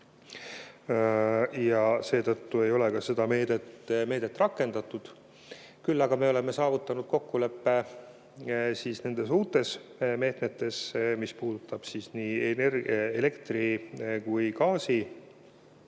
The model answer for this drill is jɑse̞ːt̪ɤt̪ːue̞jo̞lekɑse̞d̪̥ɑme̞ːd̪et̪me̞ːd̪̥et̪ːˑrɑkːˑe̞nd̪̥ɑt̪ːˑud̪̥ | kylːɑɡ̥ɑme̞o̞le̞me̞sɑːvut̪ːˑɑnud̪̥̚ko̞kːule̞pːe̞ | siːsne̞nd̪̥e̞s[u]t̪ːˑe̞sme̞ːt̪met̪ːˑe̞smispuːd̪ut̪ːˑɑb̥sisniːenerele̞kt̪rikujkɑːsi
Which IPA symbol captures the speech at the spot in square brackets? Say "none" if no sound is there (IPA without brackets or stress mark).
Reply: uː